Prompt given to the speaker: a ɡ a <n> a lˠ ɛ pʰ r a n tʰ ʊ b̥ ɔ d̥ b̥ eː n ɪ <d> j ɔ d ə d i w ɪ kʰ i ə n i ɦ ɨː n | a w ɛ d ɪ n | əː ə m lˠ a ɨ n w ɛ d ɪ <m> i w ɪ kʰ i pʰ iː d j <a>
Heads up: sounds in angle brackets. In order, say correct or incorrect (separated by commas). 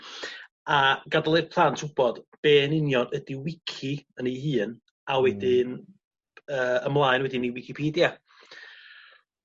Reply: incorrect, incorrect, incorrect, correct